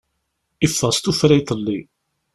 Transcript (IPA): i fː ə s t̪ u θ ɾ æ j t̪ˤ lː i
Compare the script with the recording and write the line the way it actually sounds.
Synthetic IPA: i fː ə s t̪ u f ɾ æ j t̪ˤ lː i